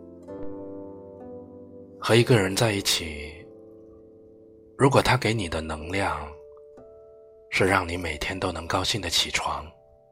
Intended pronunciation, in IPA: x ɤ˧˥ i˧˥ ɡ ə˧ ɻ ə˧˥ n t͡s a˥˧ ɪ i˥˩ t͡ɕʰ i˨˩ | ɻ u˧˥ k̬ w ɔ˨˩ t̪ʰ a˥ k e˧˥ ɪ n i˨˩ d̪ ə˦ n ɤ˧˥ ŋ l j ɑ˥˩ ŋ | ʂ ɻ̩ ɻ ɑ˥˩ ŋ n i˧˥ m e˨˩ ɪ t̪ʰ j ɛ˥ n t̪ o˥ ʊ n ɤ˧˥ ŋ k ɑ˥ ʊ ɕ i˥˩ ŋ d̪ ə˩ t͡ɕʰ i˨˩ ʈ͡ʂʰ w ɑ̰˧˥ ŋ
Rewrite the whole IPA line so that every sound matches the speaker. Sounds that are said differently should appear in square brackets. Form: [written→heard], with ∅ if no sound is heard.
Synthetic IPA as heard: x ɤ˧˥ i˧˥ ɡ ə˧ ɻ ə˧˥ n t͡s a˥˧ ɪ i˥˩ t͡ɕʰ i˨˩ | ɻ u˧˥ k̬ w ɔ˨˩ t̪ʰ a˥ k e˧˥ ɪ n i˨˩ d̪ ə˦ n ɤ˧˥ ŋ l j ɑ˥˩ ŋ | ʂ ɻ̩ ɻ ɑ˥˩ ŋ n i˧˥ m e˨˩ ɪ t̪ʰ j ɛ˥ n t̪ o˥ ʊ n ɤ˧˥ ŋ k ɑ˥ ʊ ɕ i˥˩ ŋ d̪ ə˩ t͡ɕʰ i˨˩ ʈ͡ʂʰ w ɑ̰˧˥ ŋ